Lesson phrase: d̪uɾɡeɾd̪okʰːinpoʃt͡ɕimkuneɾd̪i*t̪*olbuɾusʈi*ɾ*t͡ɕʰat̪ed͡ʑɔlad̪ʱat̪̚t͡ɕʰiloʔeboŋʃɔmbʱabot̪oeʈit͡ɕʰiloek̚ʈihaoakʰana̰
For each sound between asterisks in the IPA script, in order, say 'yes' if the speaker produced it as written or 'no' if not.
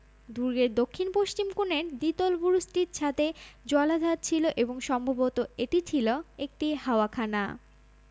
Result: yes, yes

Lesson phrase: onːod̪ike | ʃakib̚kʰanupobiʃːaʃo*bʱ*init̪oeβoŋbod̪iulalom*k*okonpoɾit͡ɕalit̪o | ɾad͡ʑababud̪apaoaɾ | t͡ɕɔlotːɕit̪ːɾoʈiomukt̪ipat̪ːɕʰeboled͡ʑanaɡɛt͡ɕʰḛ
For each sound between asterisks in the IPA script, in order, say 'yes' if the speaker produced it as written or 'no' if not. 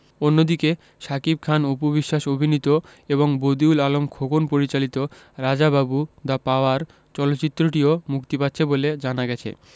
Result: yes, no

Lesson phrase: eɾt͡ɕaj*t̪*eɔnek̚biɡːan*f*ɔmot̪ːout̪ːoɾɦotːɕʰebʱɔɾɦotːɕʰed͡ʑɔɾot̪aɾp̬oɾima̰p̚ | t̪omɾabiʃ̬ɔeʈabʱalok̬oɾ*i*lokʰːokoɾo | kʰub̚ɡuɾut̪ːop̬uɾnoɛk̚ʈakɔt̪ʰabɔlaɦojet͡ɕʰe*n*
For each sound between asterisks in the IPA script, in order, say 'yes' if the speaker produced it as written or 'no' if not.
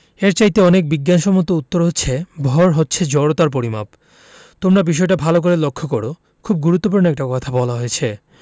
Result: yes, no, no, no

